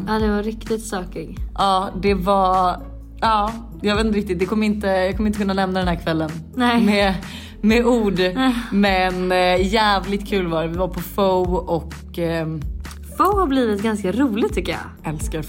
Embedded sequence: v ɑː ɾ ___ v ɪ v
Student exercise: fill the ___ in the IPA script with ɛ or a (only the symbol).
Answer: ɛ